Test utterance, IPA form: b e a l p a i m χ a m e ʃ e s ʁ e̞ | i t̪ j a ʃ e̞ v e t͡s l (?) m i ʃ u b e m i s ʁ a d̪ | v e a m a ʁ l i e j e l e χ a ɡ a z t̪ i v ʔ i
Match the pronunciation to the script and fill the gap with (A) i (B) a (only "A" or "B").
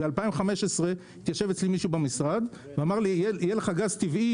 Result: A